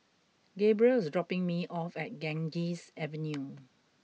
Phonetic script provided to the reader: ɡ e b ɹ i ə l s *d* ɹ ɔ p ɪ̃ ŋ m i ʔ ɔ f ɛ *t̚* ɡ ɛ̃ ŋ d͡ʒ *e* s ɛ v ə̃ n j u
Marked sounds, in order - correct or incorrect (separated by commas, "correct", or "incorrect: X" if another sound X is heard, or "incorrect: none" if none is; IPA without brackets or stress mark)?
correct, correct, incorrect: i